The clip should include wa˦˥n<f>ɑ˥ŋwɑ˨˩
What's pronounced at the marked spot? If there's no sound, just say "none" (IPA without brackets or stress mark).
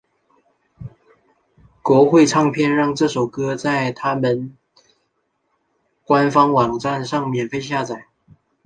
f